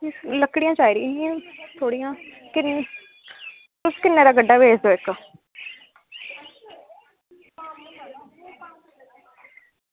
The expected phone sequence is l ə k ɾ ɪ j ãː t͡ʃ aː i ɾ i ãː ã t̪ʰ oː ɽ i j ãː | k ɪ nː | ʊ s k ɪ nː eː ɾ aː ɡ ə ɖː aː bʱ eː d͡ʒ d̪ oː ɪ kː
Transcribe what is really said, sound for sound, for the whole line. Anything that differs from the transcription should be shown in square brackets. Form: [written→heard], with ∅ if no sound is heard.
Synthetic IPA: l ə k [ɾ→ɽ] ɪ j ãː t͡ʃ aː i ɾ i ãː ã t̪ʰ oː ɽ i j ãː | k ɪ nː | ʊ s k ɪ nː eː ɾ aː ɡ ə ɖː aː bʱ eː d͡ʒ d̪ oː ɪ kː